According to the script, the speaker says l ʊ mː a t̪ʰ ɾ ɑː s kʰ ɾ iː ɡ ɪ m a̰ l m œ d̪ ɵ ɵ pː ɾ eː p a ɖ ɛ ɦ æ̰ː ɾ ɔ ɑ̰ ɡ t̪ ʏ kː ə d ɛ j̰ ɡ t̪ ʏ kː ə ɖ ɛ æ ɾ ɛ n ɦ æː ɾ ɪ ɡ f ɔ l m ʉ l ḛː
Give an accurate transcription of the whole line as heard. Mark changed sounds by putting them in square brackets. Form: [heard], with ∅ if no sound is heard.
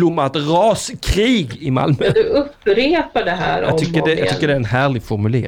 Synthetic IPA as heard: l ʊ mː a [t̪] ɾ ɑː s kʰ ɾ iː ɡ ɪ m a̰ l m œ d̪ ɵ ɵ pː ɾ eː p a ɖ ɛ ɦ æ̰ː ɾ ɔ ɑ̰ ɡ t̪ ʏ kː ə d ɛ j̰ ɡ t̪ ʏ kː ə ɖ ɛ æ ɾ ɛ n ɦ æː [ɭ] ɪ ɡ f ɔ [ɾ] m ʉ l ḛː